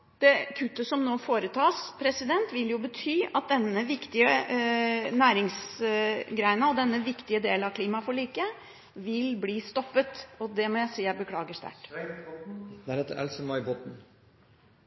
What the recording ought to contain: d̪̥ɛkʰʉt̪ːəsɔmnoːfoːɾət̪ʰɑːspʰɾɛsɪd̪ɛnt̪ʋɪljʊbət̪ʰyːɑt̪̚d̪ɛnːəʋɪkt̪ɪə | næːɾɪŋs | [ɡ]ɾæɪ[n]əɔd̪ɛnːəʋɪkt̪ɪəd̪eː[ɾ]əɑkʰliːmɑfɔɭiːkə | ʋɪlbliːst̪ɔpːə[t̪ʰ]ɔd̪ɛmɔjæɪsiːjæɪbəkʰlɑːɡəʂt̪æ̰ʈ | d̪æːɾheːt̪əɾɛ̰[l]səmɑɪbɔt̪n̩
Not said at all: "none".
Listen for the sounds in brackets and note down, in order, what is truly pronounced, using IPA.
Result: ɡ, n, l, t̪, l

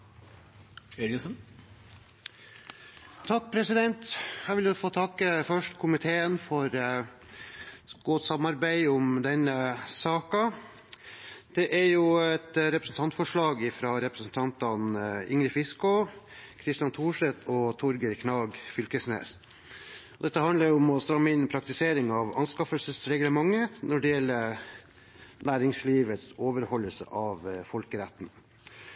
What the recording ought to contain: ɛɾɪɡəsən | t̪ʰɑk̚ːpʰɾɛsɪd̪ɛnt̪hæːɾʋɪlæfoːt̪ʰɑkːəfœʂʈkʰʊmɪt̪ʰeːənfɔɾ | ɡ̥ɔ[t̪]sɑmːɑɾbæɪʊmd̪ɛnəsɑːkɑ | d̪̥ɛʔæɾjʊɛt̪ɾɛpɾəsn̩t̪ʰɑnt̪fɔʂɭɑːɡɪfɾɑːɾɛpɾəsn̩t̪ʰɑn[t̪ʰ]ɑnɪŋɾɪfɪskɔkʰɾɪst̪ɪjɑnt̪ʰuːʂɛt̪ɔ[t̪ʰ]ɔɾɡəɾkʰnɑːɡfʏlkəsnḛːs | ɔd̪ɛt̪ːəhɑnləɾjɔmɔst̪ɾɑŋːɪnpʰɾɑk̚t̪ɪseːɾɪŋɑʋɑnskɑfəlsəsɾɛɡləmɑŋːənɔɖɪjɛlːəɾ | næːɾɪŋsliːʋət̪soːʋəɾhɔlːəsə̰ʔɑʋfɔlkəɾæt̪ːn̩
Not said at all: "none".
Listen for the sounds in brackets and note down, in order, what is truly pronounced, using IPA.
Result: t̪, t̪, t̪ʰ

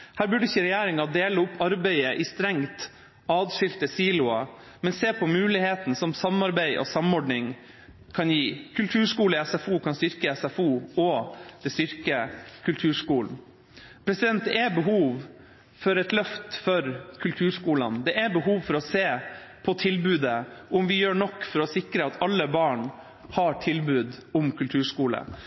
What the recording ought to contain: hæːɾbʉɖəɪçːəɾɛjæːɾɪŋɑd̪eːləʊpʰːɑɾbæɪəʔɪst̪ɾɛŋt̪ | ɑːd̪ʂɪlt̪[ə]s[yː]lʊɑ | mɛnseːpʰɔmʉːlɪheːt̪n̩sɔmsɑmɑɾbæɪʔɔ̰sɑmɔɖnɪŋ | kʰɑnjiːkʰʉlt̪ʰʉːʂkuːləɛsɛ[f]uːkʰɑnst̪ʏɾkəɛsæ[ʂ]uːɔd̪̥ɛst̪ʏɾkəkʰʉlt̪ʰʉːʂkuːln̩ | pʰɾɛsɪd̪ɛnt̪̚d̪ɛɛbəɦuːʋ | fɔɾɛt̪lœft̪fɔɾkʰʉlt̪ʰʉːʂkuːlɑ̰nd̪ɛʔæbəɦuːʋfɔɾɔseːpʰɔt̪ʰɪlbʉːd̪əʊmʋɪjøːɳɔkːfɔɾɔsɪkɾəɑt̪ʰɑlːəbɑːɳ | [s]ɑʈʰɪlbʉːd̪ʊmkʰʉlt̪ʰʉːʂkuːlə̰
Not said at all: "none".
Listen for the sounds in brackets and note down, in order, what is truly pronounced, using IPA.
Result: ə, iː, f, f, h

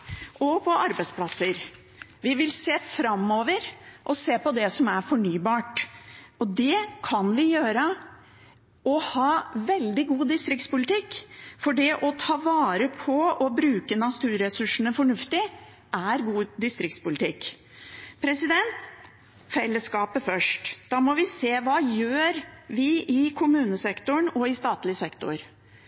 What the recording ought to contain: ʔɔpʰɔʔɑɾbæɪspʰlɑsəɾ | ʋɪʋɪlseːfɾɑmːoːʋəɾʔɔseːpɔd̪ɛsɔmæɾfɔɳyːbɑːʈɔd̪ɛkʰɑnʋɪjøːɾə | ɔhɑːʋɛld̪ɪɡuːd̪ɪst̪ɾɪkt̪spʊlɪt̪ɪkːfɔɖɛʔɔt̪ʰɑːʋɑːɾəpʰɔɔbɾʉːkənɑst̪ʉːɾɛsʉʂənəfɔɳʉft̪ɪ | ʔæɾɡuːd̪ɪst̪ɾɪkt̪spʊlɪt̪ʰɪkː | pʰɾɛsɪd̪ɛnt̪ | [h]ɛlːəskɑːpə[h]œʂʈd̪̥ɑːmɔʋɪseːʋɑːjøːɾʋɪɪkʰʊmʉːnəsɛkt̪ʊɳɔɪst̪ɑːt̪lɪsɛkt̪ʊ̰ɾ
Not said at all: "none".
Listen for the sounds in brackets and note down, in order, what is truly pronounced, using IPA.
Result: f, f

